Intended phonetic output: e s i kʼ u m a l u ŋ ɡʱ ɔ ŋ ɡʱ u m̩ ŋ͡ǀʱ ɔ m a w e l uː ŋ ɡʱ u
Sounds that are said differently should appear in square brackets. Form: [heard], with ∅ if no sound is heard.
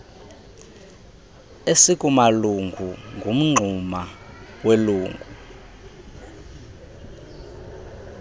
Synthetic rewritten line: e s i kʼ u m a l u ŋ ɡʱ [u] ŋ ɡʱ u m̩ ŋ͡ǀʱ [u] m a w e l uː ŋ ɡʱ u